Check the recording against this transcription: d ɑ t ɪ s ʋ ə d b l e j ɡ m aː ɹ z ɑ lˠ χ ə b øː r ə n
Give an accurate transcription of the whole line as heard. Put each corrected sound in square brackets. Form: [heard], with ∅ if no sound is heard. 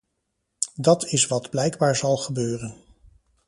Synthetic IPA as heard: d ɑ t ɪ s ʋ [ɑ] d b l [ɛ] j ɡ [b] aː ɹ z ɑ lˠ χ ə b øː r ə n